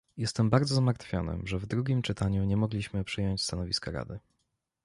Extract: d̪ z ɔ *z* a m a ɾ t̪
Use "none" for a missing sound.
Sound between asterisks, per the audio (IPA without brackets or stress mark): z